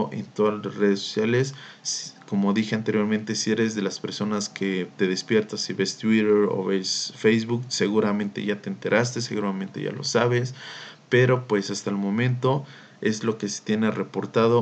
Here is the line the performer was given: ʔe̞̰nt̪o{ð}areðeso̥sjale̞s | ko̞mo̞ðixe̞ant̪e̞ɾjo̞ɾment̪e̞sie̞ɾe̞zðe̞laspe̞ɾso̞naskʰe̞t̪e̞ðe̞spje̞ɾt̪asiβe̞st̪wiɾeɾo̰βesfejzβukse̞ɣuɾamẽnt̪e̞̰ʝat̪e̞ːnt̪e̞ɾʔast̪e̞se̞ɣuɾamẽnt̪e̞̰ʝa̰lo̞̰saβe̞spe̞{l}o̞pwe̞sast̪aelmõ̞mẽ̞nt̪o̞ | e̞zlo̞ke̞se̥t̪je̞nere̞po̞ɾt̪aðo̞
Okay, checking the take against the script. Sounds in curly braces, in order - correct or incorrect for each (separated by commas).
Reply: correct, incorrect